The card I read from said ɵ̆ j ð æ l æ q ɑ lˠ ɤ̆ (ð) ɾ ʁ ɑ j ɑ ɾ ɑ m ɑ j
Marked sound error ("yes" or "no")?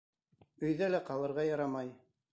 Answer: yes